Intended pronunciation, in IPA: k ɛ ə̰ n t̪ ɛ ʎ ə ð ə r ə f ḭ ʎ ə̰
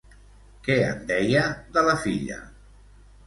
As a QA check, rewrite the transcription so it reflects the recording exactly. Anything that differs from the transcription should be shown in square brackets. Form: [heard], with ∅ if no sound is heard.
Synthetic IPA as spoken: k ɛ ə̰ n [d̪] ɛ [j] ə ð ə [l] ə f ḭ ʎ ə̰